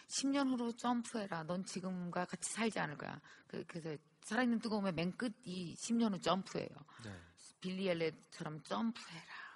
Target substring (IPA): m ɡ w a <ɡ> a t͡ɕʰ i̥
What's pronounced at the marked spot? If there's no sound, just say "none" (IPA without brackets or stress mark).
k